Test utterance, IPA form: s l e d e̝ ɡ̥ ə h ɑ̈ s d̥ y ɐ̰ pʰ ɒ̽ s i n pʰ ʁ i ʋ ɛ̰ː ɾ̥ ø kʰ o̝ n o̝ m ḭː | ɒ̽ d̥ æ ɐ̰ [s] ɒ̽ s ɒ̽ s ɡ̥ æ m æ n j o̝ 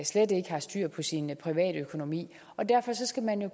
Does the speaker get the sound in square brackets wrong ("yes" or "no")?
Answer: yes